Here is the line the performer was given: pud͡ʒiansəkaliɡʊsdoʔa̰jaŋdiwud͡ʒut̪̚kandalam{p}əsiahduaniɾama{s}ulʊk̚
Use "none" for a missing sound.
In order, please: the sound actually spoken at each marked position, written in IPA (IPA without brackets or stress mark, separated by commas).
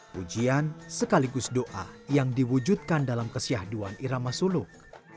k, s